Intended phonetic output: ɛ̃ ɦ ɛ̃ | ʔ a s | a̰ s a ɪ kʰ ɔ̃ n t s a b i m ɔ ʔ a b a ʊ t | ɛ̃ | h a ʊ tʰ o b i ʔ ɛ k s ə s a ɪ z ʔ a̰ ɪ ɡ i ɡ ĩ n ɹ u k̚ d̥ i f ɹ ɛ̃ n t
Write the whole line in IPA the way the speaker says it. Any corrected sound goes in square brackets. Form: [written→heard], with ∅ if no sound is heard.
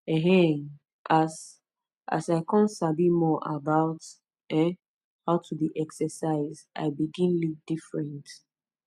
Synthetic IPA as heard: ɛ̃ ɦ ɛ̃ | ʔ a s | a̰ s a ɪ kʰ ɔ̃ n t s a b i m ɔ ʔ a b a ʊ t | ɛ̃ | h a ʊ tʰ [o→u] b i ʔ ɛ k s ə s a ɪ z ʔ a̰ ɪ [ɡ→b] i ɡ ĩ n [ɹ→l] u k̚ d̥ i f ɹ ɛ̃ n t